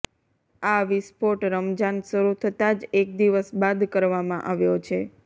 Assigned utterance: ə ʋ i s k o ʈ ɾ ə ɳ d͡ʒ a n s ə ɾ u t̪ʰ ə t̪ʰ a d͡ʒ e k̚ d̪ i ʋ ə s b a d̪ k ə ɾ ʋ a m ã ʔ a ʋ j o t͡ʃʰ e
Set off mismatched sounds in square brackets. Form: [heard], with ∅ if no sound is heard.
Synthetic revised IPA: [a] ʋ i s [p] o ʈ ɾ ə [m] d͡ʒ a n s ə ɾ u t̪ʰ ə [t̪] a d͡ʒ e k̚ d̪ i ʋ ə s b a d̪ k ə ɾ ʋ a m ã ʔ a ʋ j o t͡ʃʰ e